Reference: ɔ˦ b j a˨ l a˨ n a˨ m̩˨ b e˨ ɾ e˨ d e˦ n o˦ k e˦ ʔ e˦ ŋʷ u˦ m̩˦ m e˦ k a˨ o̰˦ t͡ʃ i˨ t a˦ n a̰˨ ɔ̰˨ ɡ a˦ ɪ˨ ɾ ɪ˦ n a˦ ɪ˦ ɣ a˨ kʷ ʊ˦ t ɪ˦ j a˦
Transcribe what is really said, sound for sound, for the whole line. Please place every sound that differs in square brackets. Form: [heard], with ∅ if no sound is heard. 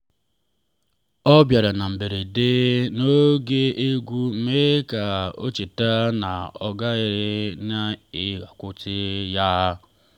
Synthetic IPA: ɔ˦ b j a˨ [ɾ] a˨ n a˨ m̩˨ b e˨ ɾ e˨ d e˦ n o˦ [ɡ] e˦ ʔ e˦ [ɡʷ] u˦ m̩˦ m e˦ k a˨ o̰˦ t͡ʃ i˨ t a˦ n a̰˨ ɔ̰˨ ɡ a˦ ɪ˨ ɾ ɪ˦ n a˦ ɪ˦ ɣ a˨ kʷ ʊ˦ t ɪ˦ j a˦